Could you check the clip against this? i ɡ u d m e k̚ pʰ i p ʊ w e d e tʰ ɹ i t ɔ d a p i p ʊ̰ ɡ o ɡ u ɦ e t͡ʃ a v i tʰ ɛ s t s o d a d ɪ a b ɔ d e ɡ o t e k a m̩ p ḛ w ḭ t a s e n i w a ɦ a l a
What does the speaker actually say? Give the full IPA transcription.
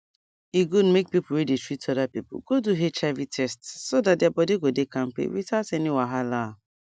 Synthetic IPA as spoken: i ɡ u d m e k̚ p i p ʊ w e d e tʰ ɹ i t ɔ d a p i p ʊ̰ ɡ o d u ɦ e t͡ʃ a v i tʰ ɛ s t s o d a d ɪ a b ɔ d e ɡ o d e k a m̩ p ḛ w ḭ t a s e n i w a ɦ a l a

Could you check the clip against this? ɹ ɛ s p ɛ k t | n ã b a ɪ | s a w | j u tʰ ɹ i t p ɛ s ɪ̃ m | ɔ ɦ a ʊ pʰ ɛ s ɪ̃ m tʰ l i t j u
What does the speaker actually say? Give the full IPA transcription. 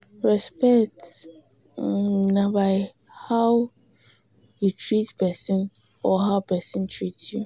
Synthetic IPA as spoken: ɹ ɛ s p ɛ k t | n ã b a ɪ | h a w | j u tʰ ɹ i t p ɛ s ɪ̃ n | ɔ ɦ a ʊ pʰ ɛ s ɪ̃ n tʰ ɹ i t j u

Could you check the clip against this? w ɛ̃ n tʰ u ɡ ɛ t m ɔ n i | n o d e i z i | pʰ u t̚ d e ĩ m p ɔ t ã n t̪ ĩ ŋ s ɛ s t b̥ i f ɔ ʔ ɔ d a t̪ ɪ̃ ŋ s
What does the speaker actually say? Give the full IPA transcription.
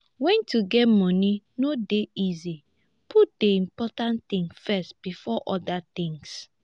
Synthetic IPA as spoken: w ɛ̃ n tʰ u ɡ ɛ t m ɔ n i | n o d e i z i | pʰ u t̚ d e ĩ m p ɔ t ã n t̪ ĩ ŋ f ɛ s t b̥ i f ɔ ʔ ɔ d a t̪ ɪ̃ ŋ s

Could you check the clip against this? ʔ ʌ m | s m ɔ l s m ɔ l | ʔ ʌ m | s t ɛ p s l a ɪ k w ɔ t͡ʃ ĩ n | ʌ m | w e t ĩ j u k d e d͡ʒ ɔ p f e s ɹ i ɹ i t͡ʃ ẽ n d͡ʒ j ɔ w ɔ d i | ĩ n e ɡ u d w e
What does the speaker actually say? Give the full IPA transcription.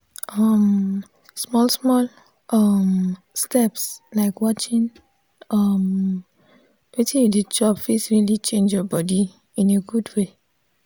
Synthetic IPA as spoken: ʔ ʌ m | s m ɔ l s m ɔ l | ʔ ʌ m | s t ɛ p s l a ɪ k w ɔ t͡ʃ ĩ n | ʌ m | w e t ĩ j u d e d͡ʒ ɔ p f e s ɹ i l i t͡ʃ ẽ n d͡ʒ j ɔ b ɔ d i | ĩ n e ɡ u d w e

